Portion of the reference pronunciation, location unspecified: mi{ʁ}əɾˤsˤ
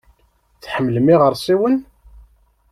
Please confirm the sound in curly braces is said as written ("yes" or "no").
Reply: yes